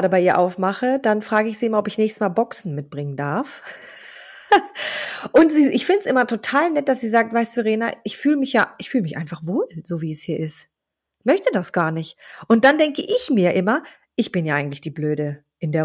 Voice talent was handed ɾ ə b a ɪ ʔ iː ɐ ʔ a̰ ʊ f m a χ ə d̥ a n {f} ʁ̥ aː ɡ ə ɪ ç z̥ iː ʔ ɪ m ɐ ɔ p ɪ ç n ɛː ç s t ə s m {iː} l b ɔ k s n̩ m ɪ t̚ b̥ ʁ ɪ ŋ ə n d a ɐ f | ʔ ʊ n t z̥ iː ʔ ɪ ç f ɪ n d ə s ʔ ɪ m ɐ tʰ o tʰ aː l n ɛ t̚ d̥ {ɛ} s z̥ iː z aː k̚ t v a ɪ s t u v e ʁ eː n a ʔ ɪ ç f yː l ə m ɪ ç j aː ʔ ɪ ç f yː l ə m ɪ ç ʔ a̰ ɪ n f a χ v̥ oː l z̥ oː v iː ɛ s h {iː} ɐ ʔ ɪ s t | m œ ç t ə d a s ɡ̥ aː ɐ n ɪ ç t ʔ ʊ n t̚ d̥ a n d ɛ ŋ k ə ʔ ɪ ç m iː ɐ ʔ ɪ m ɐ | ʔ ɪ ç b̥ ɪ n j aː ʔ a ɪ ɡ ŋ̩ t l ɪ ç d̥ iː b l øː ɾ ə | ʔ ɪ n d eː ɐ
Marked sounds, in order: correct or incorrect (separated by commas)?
correct, incorrect, incorrect, correct